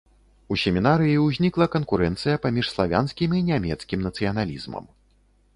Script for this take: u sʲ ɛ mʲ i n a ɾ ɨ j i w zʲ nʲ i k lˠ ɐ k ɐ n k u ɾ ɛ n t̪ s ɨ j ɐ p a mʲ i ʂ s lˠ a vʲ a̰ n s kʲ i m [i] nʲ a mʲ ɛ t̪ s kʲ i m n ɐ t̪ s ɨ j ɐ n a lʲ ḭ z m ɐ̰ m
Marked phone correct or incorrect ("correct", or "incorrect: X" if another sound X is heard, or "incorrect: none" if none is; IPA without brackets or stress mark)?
correct